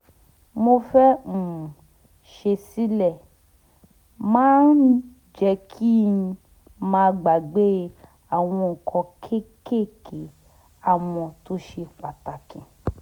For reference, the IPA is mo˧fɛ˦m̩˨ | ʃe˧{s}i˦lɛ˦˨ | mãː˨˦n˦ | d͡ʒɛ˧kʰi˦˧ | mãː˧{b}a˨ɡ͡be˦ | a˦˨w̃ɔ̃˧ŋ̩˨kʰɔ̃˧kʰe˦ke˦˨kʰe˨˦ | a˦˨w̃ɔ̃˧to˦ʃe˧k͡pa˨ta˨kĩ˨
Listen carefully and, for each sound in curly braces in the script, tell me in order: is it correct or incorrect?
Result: correct, incorrect: ɡ͡b

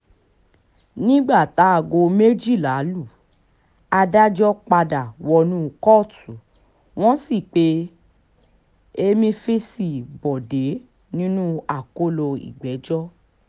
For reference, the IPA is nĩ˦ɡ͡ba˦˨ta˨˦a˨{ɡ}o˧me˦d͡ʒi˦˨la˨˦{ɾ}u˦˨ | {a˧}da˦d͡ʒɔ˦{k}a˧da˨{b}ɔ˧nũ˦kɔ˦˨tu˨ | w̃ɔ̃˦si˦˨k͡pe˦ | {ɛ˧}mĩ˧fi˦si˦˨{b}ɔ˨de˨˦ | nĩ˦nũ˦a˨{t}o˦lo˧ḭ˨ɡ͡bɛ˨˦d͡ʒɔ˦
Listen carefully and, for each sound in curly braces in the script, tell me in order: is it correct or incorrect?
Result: correct, incorrect: l, correct, incorrect: k͡p, incorrect: w, incorrect: e˧, correct, incorrect: k

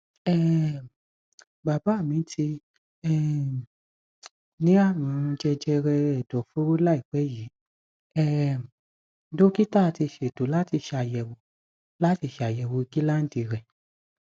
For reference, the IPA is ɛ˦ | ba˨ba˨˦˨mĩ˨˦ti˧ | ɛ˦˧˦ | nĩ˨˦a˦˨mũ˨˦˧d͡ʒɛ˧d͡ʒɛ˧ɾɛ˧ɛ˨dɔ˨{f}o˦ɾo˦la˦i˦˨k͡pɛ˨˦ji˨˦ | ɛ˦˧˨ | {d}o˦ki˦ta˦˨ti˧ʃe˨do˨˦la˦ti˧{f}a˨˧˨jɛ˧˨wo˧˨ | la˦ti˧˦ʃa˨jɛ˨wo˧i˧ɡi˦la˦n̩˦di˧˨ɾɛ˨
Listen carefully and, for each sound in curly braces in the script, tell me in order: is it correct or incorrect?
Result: correct, correct, incorrect: ʃ

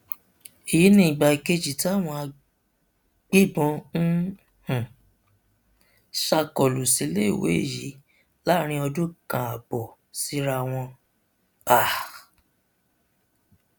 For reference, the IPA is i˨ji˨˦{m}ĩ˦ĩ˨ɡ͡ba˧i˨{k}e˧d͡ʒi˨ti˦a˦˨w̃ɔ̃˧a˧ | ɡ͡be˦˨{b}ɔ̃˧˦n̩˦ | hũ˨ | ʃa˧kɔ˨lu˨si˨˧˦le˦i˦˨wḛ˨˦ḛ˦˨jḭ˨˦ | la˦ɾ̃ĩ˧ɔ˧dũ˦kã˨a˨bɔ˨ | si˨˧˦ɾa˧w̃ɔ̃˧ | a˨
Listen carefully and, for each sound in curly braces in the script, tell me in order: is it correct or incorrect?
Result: incorrect: n, correct, correct

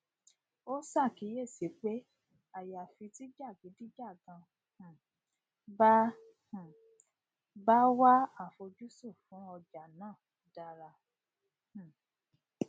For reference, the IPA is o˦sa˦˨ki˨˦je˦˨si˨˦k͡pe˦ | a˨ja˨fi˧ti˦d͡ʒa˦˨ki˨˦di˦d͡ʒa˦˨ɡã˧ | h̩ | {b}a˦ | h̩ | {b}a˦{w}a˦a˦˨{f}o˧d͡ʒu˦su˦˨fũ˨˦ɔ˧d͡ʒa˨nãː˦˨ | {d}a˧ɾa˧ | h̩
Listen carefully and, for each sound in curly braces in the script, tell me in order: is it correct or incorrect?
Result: correct, correct, correct, correct, correct

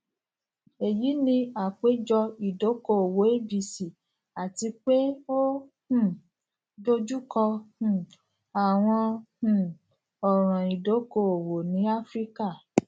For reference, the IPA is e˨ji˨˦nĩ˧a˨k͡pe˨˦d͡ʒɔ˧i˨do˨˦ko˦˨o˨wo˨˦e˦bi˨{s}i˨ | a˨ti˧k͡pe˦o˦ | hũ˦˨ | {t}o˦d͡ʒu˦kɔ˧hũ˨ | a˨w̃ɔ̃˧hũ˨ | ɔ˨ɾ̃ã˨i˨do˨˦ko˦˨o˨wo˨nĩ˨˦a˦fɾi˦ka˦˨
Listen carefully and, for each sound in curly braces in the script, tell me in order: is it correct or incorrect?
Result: correct, incorrect: d

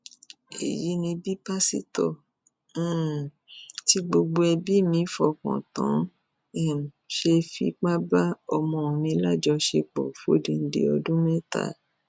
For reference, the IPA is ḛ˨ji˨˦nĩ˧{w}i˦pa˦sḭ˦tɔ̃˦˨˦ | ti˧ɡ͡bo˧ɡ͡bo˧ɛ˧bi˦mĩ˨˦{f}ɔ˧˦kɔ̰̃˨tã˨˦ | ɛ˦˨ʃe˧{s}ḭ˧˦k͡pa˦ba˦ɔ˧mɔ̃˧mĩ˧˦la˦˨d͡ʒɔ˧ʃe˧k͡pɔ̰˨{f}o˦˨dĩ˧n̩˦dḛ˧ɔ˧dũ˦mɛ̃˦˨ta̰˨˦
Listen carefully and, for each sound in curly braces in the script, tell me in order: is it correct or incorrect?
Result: incorrect: b, correct, incorrect: f, correct

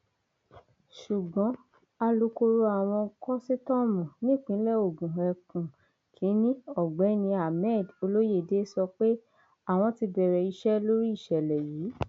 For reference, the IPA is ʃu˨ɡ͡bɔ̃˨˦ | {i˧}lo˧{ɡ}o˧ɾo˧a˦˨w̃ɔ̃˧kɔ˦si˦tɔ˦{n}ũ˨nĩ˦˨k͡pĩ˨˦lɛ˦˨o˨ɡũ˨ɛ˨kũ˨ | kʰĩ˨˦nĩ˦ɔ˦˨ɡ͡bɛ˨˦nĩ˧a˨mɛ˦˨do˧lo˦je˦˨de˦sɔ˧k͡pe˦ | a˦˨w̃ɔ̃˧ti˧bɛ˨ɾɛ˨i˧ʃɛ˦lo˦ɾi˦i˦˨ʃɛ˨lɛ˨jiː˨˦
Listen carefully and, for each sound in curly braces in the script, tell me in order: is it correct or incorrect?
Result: incorrect: a˧, incorrect: k, incorrect: m

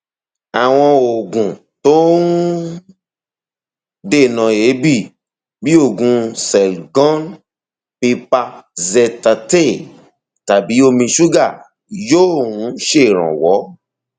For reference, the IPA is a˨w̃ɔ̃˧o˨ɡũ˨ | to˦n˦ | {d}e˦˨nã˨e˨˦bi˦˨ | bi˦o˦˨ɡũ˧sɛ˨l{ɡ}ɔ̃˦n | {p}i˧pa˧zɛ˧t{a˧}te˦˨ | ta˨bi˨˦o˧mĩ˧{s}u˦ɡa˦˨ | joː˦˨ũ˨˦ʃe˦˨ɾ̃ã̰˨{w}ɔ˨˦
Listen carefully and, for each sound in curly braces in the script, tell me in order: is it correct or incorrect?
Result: correct, correct, correct, correct, incorrect: ʃ, correct

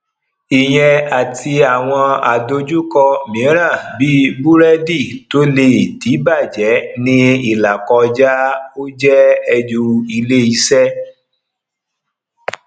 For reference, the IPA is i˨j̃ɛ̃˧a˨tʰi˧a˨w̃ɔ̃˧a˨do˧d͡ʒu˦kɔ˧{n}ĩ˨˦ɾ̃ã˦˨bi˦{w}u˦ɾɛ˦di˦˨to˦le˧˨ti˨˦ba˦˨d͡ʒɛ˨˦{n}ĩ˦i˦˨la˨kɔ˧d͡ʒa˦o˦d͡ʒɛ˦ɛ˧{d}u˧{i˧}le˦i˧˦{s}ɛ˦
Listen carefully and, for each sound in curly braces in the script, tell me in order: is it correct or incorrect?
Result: incorrect: m, incorrect: b, correct, incorrect: d͡ʒ, correct, correct

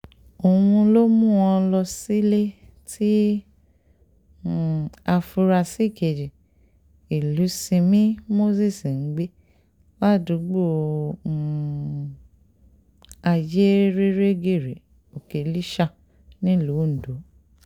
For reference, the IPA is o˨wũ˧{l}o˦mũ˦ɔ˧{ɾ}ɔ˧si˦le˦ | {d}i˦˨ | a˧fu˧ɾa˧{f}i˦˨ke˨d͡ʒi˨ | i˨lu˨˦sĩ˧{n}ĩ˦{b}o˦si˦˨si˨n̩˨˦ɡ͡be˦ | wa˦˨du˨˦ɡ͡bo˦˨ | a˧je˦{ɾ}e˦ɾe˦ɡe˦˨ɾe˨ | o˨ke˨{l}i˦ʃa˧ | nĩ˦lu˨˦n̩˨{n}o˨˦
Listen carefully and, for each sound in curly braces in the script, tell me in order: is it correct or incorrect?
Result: correct, incorrect: l, incorrect: t, incorrect: s, incorrect: m, incorrect: m, correct, correct, incorrect: d

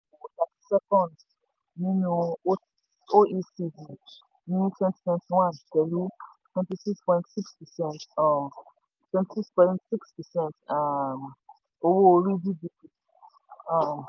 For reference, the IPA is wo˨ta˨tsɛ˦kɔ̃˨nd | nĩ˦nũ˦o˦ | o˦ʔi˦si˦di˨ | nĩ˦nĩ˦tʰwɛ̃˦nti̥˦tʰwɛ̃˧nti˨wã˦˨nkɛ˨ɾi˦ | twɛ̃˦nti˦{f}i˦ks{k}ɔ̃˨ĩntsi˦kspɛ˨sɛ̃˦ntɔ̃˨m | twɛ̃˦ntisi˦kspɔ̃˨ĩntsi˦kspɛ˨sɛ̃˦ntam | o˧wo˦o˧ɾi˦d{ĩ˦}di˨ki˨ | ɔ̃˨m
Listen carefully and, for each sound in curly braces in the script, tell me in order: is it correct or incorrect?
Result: incorrect: s, incorrect: p, incorrect: i˦

